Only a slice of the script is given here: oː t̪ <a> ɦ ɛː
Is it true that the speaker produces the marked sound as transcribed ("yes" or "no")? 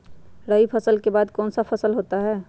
yes